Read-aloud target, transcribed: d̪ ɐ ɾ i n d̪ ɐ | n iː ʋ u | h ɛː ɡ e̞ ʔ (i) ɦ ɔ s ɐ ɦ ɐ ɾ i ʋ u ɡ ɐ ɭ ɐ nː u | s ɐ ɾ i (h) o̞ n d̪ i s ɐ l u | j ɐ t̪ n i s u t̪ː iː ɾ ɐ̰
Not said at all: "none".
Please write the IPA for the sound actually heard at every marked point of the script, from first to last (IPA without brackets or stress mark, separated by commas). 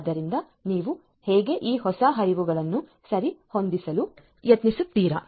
iː, h